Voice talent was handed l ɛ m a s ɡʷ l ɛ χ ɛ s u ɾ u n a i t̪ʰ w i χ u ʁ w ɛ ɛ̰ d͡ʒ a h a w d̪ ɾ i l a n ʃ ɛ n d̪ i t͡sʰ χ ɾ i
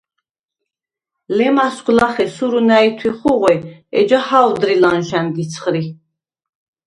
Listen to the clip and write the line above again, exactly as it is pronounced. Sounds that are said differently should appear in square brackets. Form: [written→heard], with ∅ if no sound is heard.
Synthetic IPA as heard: l ɛ m a s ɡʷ l [ɛ→a] χ ɛ s u ɾ u n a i t̪ʰ w i χ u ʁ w ɛ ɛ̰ d͡ʒ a h a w d̪ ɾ i l a n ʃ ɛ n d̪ i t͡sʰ χ ɾ i